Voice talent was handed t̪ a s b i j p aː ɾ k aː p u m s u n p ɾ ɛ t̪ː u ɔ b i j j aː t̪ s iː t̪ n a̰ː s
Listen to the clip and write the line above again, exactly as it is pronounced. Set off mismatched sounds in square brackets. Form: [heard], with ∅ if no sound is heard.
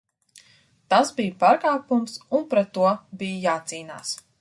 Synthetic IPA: t̪ a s b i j p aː ɾ k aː p u m s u n p ɾ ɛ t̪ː u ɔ b i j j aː t̪ s iː [∅] n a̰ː s